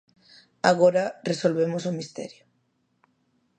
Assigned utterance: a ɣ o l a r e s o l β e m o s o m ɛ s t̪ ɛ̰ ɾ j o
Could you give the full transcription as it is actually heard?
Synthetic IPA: a ɣ o ɾ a r e s o l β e m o s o m i s t̪ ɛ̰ ɾ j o